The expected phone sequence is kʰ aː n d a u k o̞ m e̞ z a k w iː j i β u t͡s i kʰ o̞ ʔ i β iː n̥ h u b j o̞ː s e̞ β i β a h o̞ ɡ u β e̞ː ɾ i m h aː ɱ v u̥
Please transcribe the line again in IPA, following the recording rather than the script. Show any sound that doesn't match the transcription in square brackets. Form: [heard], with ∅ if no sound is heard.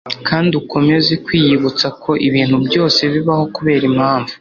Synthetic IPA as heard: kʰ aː n d [i] u k o̞ m e̞ z [e] k w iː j i β u t͡s [a] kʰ o̞ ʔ i β iː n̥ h u b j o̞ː s e̞ β i β a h o̞ [k] u β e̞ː ɾ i m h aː ɱ v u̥